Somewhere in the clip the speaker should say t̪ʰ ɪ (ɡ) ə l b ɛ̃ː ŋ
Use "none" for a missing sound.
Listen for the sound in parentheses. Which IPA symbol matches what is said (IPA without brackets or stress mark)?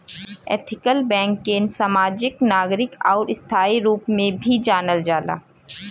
k